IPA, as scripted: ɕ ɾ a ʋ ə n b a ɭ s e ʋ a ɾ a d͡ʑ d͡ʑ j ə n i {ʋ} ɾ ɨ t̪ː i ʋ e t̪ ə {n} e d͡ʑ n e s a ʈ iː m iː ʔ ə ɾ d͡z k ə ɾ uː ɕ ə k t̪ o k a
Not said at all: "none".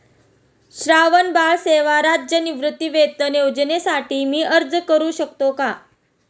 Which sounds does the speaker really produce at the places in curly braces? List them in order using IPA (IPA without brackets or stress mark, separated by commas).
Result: ʋ, n